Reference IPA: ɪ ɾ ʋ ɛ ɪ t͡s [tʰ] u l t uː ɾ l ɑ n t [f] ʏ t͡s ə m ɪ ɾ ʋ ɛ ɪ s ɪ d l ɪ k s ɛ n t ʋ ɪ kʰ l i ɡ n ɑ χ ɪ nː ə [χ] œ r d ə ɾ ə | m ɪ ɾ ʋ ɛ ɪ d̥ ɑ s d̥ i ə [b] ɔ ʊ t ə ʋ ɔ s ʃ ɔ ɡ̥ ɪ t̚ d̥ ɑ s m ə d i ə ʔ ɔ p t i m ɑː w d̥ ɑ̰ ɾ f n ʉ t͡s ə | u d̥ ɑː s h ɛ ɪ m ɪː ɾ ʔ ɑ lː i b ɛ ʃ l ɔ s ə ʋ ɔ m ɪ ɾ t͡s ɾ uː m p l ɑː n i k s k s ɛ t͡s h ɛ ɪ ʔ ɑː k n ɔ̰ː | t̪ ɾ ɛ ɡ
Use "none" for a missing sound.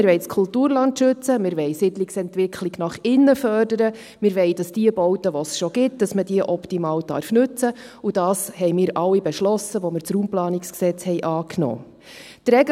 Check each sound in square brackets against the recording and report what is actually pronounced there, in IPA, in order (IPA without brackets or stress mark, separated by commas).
kʰ, ʃ, f, b